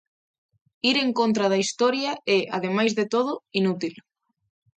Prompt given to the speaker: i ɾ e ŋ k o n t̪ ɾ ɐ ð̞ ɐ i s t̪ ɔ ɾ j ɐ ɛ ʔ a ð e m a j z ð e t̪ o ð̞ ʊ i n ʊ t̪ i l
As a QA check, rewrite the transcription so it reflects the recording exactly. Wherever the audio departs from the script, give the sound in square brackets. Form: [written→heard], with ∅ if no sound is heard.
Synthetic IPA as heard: i ɾ e ŋ k o n t̪ ɾ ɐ ð̞ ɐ i s t̪ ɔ ɾ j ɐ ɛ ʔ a ð e m a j z ð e t̪ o ð̞ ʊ i n [ʊ→u] t̪ i l